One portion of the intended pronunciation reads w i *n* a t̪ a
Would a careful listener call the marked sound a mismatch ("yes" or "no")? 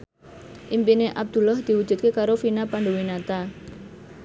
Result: no